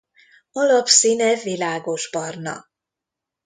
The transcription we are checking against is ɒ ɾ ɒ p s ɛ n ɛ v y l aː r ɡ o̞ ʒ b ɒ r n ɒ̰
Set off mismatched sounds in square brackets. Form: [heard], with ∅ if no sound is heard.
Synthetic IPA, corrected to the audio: ɒ [l] ɒ p s [i] n ɛ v [i] l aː [∅] ɡ o̞ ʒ b ɒ r n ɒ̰